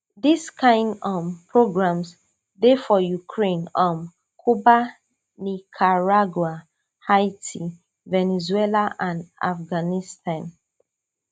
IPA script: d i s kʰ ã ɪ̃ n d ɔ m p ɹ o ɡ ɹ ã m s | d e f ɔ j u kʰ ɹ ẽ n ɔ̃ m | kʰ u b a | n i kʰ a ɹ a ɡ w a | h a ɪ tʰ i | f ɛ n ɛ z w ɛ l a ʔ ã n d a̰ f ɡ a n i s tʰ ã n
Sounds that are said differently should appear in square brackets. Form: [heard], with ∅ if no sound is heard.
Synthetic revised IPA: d i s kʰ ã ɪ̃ n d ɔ m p ɹ o ɡ ɹ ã m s | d e f ɔ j u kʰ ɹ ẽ n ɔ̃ m | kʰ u b a | n i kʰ a ɹ a ɡ w a | h a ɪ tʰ i | [v] ɛ n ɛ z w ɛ l a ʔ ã n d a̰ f ɡ a n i s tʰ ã n